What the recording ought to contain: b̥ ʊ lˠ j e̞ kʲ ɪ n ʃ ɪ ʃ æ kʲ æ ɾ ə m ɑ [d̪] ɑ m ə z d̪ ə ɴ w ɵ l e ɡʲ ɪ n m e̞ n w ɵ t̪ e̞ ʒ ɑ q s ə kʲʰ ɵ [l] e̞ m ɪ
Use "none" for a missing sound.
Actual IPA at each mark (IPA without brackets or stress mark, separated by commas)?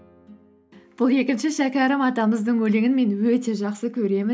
t̪, ɾ